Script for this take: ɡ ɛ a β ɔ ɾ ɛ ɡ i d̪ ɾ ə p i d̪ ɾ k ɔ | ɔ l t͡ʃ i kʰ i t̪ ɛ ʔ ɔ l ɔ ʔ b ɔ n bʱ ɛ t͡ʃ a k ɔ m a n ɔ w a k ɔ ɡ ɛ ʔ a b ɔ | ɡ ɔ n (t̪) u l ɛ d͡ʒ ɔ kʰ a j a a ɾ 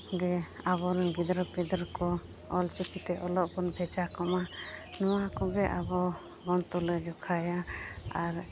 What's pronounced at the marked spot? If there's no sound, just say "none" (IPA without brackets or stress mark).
t̪